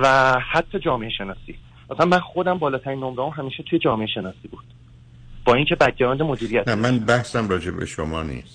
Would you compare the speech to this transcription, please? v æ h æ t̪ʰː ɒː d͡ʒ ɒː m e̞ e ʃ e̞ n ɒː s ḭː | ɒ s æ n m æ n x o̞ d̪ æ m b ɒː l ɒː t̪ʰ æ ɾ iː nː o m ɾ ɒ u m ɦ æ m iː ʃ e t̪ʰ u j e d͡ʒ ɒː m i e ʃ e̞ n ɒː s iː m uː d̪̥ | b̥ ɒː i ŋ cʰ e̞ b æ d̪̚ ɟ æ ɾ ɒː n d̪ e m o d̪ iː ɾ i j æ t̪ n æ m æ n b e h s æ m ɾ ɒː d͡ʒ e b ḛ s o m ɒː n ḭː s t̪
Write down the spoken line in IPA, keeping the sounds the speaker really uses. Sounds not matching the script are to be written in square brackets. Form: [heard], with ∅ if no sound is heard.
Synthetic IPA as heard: v æ h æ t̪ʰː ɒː d͡ʒ ɒː m e̞ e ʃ e̞ n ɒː s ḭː | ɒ s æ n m æ n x o̞ d̪ æ m b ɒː l ɒː t̪ʰ æ ɾ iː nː o m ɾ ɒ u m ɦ æ m iː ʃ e t̪ʰ u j e d͡ʒ ɒː m [e] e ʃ e̞ n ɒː s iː [b] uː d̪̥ | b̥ ɒː i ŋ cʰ e̞ b æ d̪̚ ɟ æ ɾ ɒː n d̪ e m o d̪ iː ɾ i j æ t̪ n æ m æ n b [æ] h s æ m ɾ ɒː d͡ʒ e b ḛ [ʃ] o m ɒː n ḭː s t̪